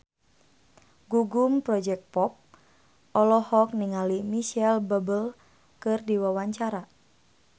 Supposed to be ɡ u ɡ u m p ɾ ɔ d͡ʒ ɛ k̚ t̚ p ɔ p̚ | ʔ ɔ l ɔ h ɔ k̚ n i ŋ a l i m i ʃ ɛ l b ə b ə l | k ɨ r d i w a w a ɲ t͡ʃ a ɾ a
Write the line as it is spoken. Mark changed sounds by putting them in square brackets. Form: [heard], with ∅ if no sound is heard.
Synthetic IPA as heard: ɡ u ɡ u m p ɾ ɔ d͡ʒ ɛ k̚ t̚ p ɔ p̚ | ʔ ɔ l ɔ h ɔ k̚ n i ŋ a l i m i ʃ ɛ l b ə b ə l | k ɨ r d i w a w a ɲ t͡ʃ a ɾ a